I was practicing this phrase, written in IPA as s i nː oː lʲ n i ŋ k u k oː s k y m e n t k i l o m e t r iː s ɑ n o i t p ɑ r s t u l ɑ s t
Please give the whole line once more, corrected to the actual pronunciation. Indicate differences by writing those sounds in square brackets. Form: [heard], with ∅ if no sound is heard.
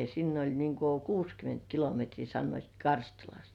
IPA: s i nː [o] lʲ n i ŋ k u k [uː] s k y m e n t k i l o m e t r iː s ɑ [nː] o i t [k] ɑ r s t u l ɑ s t

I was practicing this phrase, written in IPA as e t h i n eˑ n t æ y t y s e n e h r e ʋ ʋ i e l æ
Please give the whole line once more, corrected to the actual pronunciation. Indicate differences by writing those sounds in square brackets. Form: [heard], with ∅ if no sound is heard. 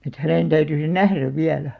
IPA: e t h [æ] n eˑ n t æ y t y s e n [æ] h r [æ] ʋ ʋ i [æ] l æ

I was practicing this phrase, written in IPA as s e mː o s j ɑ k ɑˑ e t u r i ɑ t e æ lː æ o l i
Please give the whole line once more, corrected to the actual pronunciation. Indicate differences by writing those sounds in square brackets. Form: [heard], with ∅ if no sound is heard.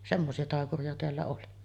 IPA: s e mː o s [i] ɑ [t] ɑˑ e [k] u r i ɑ t e æ lː æ o l i

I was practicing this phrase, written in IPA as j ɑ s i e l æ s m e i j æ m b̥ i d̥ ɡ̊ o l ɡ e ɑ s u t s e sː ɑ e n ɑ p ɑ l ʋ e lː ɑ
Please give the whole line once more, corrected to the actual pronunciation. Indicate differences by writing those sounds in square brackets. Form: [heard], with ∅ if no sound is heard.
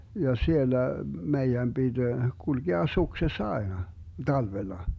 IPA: j ɑ s i e [lː] æ [∅] m e i j æ m b̥ i d̥ ɡ̊ [u] l ɡ e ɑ s u [k] s e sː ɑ e n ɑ [t] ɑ l ʋ e lː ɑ

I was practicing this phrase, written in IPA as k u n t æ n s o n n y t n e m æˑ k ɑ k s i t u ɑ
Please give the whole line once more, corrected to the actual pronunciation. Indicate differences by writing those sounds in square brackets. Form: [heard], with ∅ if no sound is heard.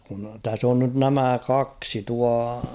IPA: k u n t æ [∅] s o n n y t n [æ] m æˑ k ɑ k s i t u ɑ

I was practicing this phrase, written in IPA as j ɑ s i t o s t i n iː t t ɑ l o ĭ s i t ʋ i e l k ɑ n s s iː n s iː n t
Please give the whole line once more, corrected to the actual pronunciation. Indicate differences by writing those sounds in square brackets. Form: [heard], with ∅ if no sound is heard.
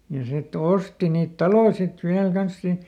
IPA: j ɑ s i t o s t i n iː t t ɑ l o ĭ s i t ʋ i [æ] l k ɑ n s s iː n s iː n t

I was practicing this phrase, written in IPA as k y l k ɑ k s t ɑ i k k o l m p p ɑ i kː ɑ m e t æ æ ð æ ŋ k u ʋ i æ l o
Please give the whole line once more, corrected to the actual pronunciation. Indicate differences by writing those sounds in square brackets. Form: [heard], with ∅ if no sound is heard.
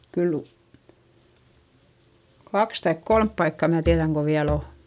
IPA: k y l k ɑ k s t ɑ i k k o l m p p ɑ i kː ɑ m [æ] t [i] æ ð æ ŋ k [o] ʋ i æ l o

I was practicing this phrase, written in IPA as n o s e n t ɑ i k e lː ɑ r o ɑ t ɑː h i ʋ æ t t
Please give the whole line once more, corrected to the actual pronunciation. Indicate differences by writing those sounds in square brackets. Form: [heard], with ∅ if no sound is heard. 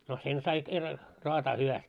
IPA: n o s e n [s] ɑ i k e [rː] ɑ r o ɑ t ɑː h [y] ʋ æ [s] t

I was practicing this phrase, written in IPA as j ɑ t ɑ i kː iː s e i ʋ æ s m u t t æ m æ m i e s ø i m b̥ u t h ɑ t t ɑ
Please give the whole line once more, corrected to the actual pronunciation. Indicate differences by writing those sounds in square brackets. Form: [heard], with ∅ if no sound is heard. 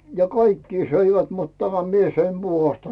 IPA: j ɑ [k] ɑ i kː iː s [ø] i ʋ æ [t] m u t t æ m æ m i e s ø i m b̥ u [∅] h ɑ [s] t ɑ

